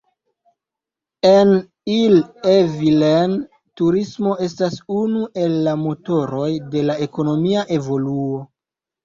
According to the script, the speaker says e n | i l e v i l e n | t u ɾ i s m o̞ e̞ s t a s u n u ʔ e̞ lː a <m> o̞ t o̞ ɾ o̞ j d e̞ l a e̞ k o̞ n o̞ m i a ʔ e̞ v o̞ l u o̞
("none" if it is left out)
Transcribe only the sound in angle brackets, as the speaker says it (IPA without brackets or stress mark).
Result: m